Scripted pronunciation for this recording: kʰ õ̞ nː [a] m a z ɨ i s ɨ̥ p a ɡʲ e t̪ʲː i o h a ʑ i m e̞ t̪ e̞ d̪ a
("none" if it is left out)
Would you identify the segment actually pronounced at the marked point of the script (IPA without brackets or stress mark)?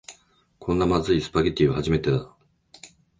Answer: a